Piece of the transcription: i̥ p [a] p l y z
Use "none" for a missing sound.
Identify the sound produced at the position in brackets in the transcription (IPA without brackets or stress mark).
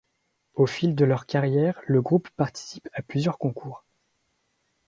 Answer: a